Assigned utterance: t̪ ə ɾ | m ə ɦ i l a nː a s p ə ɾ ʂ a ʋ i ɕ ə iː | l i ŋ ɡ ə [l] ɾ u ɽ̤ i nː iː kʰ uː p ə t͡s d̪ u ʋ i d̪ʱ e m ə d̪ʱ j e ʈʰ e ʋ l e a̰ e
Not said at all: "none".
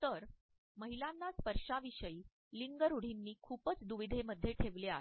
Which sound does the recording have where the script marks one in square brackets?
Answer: none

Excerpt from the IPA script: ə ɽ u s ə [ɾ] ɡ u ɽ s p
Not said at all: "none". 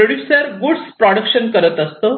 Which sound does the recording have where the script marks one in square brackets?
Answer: ɾ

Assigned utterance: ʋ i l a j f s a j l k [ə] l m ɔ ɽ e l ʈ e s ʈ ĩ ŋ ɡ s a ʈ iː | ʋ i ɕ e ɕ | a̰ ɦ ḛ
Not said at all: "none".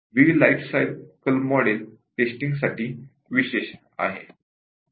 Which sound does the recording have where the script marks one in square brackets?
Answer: ə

